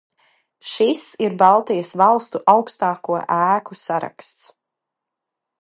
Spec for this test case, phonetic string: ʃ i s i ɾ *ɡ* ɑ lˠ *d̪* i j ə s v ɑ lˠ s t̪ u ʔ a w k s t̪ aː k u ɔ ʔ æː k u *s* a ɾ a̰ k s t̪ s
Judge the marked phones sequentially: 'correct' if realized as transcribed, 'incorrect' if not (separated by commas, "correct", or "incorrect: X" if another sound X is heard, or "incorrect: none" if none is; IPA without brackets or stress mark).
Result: incorrect: b, incorrect: t̪, correct